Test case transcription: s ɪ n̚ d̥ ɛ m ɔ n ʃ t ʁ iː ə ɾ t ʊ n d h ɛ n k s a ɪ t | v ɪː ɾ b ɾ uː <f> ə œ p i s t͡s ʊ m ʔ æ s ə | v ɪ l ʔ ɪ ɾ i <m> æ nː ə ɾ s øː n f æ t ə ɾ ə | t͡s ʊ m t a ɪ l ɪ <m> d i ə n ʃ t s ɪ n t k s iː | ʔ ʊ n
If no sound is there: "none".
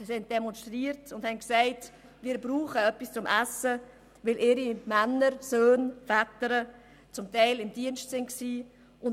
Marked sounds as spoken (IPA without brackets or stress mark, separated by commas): χ, m, m